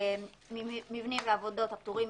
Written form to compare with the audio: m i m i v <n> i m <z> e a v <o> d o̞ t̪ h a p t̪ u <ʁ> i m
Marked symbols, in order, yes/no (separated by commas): yes, no, yes, yes